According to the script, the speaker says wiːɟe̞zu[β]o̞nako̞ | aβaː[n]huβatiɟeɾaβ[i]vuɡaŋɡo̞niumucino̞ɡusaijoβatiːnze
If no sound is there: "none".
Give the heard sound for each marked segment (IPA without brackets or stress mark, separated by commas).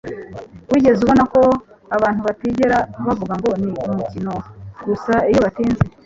β, n, a